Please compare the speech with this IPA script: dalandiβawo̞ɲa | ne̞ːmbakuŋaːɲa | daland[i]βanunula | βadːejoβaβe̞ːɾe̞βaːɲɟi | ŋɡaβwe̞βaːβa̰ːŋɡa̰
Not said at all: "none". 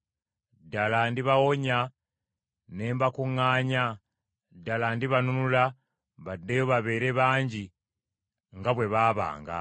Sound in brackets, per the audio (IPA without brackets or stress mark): i